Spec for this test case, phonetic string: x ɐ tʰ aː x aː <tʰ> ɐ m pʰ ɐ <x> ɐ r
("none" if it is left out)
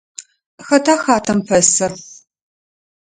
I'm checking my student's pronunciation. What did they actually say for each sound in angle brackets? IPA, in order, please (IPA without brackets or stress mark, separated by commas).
tʰ, s